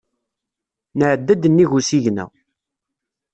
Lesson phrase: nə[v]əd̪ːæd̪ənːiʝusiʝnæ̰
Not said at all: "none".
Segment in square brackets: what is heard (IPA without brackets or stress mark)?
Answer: ʕ